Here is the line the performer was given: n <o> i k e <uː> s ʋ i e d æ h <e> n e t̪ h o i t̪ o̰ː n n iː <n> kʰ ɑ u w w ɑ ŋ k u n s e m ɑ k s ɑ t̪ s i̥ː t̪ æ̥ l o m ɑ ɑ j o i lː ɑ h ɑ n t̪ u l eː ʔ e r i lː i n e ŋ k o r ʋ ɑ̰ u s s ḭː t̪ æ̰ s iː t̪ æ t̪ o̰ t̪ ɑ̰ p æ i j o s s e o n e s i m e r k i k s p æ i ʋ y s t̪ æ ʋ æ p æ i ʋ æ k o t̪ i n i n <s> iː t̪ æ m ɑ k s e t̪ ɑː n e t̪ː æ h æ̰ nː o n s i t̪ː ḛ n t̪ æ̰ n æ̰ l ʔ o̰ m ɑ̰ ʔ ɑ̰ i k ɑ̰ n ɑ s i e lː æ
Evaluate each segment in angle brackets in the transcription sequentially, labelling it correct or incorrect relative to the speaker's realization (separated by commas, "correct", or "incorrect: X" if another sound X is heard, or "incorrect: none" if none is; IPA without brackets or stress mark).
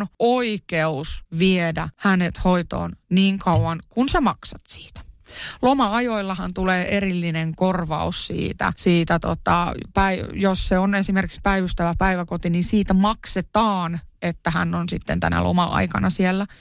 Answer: correct, incorrect: u, incorrect: æ, incorrect: ŋ, correct